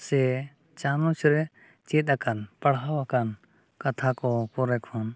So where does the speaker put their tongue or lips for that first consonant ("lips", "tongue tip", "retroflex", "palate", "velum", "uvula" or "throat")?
tongue tip